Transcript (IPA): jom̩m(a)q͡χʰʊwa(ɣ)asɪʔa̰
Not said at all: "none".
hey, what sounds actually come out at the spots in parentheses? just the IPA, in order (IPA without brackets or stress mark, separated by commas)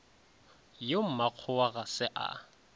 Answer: a, ɣ